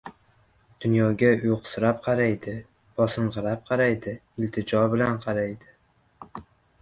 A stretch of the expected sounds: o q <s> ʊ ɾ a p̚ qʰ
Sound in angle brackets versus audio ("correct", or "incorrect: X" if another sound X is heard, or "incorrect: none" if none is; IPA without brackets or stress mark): correct